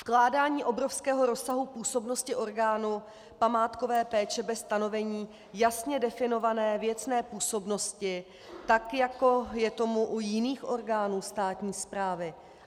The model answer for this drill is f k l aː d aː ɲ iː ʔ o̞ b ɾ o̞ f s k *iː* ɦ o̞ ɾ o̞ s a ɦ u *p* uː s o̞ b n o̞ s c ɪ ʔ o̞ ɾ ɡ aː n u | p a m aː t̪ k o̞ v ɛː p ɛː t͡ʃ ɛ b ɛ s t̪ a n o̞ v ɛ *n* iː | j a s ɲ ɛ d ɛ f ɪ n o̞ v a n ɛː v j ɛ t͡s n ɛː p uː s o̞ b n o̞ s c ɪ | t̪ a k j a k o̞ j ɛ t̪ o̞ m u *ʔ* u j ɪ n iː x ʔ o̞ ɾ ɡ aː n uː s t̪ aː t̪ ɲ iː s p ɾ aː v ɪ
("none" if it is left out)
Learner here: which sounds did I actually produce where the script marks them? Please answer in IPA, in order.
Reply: ɛː, p, ɲ, ʔ

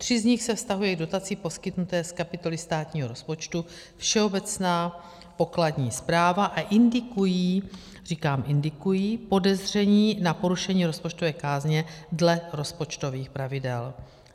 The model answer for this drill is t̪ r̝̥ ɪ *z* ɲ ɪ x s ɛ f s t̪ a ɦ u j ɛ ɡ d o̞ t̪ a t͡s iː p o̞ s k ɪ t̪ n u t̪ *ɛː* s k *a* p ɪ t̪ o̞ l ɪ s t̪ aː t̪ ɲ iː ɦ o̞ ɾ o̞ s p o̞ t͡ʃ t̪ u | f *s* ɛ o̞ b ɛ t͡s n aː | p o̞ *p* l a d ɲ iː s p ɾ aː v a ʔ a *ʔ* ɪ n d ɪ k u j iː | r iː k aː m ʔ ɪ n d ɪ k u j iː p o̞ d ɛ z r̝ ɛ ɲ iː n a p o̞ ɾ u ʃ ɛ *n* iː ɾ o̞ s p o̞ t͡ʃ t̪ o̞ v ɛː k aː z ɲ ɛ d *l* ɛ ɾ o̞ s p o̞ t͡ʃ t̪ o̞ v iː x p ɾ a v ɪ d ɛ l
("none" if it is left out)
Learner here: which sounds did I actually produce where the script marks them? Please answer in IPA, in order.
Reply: z, ɛː, a, ʃ, k, ʔ, ɲ, l

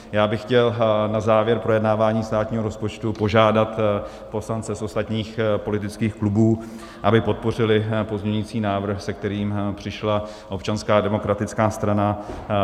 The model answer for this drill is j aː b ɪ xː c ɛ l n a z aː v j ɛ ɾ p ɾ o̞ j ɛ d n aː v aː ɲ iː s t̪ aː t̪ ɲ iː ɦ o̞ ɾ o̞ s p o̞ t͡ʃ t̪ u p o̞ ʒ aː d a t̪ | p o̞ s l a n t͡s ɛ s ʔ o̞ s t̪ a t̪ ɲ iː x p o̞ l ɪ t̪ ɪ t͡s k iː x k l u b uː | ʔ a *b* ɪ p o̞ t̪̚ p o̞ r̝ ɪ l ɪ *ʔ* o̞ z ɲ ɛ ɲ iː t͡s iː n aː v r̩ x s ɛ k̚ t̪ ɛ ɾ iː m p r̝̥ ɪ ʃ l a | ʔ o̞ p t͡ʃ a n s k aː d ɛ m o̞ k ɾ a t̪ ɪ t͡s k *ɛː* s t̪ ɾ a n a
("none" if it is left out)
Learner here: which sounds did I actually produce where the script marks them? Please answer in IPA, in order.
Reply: b, p, aː

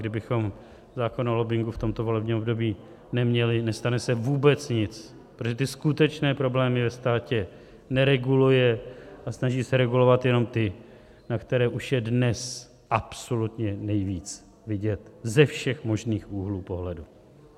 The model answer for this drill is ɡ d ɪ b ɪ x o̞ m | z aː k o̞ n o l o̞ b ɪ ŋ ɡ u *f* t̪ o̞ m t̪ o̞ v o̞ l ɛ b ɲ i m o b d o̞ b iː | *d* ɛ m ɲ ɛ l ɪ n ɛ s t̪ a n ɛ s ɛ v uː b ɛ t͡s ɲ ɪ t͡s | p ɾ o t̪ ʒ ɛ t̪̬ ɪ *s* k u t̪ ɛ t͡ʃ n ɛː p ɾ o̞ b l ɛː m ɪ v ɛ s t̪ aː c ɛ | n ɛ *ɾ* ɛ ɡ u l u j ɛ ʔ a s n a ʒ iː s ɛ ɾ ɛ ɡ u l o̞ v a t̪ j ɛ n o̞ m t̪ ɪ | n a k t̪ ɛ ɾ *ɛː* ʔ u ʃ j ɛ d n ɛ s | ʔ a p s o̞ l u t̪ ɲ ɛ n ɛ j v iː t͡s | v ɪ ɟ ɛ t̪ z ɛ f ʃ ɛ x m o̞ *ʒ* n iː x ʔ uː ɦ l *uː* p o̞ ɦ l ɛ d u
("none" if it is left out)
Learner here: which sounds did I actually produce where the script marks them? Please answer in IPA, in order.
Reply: f, n, s, ɾ, ɛː, ʒ, uː

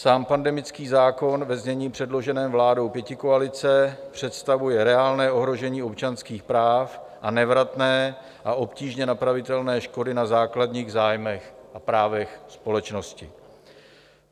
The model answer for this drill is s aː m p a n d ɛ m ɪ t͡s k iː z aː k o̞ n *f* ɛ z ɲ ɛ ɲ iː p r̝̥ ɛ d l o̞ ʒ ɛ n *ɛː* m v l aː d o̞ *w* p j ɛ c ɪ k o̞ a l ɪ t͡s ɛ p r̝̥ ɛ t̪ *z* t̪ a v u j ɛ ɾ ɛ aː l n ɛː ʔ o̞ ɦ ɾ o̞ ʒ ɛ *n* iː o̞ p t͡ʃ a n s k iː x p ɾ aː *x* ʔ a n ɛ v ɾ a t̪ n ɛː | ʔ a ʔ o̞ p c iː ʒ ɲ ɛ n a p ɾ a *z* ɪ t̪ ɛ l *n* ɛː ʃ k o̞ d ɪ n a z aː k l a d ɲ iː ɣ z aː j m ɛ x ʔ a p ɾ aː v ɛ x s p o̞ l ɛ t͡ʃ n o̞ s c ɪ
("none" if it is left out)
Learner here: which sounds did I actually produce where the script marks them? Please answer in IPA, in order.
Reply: v, ɛː, w, s, ɲ, f, v, n

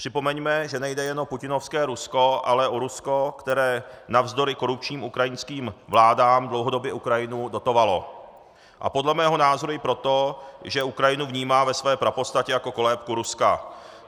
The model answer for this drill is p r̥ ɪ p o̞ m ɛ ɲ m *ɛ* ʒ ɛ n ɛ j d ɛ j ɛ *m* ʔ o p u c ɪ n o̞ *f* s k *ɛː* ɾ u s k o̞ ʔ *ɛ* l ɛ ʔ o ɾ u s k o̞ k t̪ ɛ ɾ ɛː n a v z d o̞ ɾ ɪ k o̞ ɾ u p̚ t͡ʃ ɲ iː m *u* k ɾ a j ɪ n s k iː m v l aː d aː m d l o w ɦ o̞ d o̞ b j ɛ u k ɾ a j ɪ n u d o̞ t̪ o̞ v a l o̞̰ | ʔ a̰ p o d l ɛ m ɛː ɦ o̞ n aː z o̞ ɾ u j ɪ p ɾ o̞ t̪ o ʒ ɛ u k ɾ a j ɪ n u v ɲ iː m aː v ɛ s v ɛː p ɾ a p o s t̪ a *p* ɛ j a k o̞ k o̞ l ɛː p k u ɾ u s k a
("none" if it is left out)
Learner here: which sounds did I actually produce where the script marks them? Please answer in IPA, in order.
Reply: ɛ, n, f, ɛː, a, u, c

